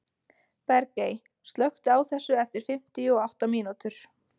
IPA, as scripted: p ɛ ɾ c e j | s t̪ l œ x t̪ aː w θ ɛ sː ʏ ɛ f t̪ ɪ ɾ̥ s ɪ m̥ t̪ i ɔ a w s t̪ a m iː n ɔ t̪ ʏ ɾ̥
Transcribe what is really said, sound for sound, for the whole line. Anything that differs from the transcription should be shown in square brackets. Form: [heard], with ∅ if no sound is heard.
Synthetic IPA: p ɛ ɾ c e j | s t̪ l œ x t̪ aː w θ ɛ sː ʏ ɛ f t̪ ɪ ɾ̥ [f] ɪ m̥ t̪ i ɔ a w [h] t̪ a m iː n [u] t̪ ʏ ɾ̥